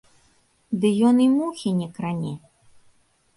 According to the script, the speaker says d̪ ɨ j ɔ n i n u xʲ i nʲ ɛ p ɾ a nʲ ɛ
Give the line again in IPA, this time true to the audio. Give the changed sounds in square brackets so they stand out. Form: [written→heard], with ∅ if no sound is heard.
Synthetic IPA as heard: d̪ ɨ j ɔ n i [n→m] u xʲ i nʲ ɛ [p→k] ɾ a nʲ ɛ